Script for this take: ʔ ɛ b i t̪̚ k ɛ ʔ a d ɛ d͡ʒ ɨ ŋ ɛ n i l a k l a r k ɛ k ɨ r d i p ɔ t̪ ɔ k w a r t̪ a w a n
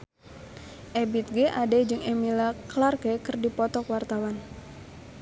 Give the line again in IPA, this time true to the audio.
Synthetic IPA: ʔ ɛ b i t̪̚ ɡ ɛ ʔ a d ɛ d͡ʒ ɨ ŋ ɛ m i l a k l a r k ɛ k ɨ r d i p ɔ t̪ ɔ k w a r t̪ a w a n